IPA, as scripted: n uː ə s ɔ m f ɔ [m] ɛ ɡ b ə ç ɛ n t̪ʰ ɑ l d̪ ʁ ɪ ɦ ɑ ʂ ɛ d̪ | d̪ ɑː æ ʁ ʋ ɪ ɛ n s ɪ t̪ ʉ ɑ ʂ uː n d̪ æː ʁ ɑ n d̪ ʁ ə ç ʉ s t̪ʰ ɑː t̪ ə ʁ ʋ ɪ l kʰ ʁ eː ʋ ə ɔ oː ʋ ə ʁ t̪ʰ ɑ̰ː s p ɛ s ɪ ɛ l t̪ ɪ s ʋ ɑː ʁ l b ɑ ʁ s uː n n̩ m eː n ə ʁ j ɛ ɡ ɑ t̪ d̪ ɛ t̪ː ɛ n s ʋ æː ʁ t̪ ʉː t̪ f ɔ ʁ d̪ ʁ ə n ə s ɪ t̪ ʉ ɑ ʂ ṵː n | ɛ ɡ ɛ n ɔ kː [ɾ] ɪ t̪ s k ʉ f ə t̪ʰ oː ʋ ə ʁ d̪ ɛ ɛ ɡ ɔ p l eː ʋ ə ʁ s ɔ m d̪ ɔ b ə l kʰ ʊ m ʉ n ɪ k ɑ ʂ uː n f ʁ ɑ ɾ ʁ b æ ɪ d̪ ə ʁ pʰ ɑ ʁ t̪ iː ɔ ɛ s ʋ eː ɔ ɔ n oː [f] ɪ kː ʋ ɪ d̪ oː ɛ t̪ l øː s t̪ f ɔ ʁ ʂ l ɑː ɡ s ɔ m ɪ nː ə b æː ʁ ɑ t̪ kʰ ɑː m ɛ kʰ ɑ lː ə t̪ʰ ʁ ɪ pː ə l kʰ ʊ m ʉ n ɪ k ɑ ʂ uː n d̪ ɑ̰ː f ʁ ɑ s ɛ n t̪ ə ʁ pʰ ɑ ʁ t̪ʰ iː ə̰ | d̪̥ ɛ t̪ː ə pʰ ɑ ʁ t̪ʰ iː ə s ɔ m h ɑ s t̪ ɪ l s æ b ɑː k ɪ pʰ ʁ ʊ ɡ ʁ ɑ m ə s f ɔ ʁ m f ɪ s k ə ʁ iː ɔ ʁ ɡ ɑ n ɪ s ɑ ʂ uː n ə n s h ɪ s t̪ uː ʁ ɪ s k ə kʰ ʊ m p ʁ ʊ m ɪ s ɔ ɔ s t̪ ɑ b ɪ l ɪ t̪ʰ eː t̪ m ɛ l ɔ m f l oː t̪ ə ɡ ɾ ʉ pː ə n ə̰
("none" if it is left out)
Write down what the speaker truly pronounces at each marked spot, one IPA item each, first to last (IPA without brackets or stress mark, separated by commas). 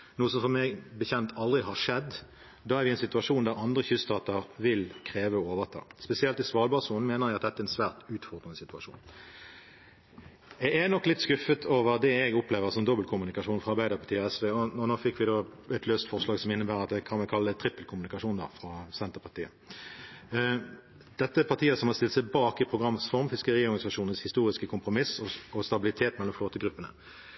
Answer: m, l, f